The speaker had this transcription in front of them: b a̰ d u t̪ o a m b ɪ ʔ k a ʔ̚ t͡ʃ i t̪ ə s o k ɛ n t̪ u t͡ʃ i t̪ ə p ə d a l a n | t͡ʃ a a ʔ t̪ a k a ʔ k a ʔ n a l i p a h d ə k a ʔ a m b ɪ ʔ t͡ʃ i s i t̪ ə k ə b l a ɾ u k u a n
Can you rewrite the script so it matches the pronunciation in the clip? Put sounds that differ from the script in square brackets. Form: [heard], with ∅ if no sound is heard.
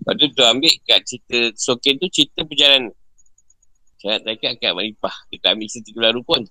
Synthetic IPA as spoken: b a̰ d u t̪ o a m b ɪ ʔ k a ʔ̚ t͡ʃ i t̪ ə s o k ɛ n t̪ u t͡ʃ i t̪ ə p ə [d͡ʒ] a l a n | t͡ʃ a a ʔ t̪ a k a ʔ k a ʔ [m] a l i p a h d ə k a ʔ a m b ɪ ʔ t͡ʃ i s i t̪ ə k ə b l a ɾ u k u a n